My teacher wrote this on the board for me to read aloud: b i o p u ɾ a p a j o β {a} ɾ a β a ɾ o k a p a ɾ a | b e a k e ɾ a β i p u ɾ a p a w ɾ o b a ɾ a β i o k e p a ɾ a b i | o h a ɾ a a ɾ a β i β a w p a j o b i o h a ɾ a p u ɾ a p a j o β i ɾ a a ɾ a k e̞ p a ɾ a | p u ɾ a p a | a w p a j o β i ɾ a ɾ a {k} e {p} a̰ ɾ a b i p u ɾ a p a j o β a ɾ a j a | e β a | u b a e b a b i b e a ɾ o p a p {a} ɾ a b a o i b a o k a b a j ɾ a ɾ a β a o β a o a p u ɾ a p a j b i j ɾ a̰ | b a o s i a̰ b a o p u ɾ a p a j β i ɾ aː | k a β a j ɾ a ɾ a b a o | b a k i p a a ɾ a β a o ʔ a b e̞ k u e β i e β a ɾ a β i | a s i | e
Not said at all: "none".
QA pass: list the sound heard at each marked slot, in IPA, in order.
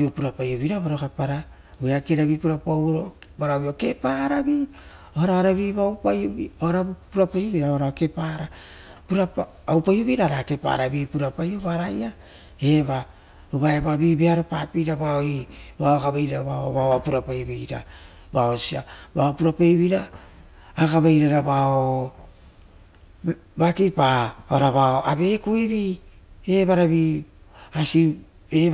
i, k, p, i

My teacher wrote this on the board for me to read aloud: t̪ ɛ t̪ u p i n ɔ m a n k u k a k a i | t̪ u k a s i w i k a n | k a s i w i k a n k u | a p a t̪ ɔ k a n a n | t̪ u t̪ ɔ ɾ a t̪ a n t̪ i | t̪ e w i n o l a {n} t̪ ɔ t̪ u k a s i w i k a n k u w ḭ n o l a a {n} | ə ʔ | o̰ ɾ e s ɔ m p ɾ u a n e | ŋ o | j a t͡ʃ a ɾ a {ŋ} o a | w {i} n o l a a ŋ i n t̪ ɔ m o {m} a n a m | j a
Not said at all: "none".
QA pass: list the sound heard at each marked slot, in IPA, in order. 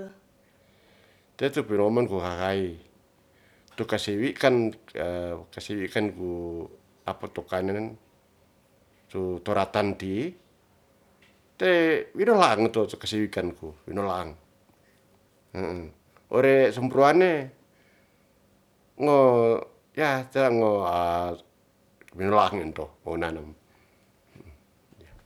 ŋ, ŋ, ŋ, i, n

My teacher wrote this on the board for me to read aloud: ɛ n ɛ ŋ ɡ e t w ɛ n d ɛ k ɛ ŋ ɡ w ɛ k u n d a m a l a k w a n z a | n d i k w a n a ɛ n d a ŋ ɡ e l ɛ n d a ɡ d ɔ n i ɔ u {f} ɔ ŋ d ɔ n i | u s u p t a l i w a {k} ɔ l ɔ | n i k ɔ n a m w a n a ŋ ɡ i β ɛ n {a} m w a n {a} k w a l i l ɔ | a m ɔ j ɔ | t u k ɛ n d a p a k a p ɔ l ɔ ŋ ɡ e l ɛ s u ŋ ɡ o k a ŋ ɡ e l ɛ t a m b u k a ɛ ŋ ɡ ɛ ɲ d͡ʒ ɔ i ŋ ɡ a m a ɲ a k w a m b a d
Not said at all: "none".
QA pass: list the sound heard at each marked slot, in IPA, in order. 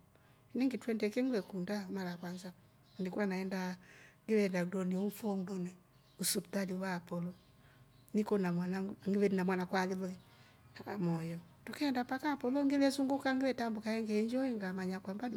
f, p, a, a

